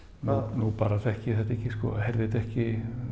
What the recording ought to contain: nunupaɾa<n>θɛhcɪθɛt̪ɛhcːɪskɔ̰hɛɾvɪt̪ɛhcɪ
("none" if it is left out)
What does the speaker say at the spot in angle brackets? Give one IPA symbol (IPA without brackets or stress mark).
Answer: none